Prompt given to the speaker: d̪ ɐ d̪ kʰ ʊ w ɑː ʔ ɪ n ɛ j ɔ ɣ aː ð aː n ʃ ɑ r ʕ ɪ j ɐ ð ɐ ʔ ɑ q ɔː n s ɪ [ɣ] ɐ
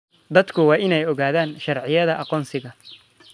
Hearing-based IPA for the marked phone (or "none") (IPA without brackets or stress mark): ɣ